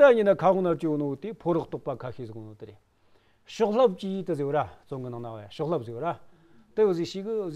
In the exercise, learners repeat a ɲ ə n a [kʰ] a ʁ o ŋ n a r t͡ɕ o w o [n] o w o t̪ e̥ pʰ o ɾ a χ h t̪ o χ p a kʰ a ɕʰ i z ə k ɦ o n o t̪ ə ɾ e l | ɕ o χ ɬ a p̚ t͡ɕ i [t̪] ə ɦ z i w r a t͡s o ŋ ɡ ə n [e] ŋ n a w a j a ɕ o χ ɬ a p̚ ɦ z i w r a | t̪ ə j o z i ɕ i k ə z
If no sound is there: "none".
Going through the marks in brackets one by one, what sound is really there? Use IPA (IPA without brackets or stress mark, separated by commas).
kʰ, n, t̪, a